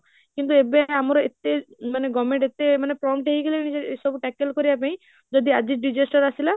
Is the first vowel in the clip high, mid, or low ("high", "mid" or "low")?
high